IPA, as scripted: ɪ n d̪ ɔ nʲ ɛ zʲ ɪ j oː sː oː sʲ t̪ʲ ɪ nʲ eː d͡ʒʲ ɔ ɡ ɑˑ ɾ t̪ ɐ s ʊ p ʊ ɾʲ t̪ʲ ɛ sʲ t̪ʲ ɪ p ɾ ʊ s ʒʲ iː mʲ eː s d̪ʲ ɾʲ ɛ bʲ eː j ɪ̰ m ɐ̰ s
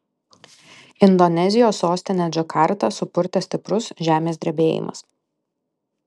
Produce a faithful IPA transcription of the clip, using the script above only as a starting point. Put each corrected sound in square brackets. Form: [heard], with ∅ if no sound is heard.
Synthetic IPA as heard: ɪ n d̪ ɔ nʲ ɛ zʲ ɪ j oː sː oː sʲ t̪ʲ ɪ nʲ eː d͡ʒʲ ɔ [k] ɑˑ ɾ t̪ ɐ s ʊ p ʊ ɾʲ t̪ʲ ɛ sʲ t̪ʲ ɪ p ɾ ʊ s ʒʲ [æː] mʲ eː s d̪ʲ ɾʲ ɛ bʲ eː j ɪ̰ m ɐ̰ s